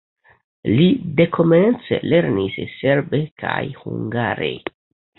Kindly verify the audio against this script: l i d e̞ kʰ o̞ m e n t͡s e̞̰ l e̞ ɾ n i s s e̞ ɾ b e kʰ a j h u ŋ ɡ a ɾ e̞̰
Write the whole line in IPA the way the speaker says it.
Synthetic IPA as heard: l i d e̞ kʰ o̞ m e n t͡s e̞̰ l e̞ ɾ n i s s e̞ ɾ b e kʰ a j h u ŋ ɡ a ɾ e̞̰

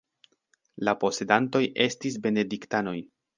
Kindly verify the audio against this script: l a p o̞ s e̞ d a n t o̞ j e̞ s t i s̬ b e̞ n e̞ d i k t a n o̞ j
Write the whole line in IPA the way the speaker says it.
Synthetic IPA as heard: l a p o̞ s e̞ d a n t o̞ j e̞ s t i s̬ b e̞ n e̞ d i k t a n o̞ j

